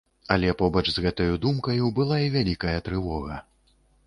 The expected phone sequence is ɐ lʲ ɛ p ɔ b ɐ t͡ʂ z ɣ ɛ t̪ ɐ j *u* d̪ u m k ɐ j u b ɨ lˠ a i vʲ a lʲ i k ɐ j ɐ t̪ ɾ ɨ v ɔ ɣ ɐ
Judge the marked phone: correct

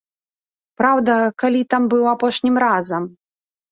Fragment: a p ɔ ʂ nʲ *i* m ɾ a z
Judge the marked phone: correct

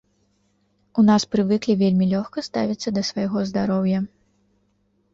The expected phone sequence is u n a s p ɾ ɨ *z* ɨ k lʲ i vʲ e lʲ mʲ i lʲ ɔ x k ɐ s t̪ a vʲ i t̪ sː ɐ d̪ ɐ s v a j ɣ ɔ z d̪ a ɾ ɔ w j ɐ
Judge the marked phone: incorrect: v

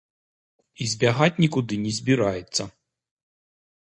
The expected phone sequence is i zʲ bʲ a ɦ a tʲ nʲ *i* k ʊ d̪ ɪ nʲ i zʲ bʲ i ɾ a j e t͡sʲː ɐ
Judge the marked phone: correct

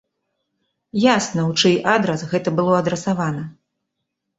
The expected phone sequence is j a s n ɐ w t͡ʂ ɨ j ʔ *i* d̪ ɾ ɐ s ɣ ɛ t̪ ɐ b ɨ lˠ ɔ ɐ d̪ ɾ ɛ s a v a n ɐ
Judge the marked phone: incorrect: a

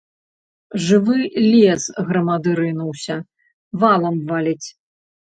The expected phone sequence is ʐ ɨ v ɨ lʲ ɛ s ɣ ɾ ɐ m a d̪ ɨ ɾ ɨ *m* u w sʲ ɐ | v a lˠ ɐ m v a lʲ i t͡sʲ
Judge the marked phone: incorrect: n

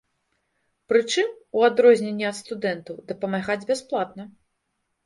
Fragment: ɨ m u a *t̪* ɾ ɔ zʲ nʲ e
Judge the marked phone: incorrect: d̪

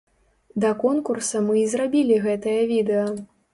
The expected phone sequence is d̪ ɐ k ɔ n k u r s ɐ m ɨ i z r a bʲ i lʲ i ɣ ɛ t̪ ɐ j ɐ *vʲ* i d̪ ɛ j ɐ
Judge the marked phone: correct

